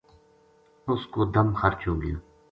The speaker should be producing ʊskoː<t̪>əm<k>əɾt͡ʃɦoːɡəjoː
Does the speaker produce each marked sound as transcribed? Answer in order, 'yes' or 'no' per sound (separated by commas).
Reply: no, no